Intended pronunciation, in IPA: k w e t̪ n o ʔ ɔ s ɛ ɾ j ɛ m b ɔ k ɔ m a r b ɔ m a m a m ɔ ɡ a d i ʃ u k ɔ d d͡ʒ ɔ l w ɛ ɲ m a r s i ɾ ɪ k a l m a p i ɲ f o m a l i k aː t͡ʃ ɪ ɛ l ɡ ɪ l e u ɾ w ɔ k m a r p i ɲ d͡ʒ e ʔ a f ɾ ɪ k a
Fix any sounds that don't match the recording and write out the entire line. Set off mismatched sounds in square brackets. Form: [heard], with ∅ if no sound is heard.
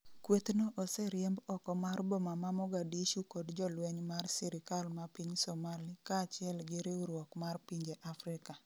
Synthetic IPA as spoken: k w e t̪ n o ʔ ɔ s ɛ ɾ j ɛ m b ɔ k ɔ m a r b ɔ m a m a m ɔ ɡ a d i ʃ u k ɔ d d͡ʒ ɔ l w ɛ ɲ m a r s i ɾ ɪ k a l m a p i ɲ [s] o m a l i k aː t͡ʃ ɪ ɛ l ɡ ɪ [ɾ] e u ɾ w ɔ k m a r p i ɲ d͡ʒ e ʔ a f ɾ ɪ k a